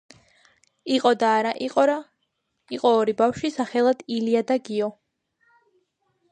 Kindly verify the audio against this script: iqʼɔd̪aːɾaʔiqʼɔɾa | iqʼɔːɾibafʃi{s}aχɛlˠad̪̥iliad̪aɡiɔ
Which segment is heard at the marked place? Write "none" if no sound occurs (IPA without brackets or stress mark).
s